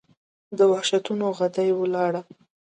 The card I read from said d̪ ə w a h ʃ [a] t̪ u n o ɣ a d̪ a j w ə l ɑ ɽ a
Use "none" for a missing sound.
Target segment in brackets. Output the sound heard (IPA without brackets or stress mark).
a